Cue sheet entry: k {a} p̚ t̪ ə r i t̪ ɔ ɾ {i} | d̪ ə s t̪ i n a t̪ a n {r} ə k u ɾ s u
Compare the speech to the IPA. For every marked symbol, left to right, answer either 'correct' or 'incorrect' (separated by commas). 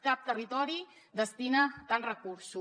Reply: correct, correct, correct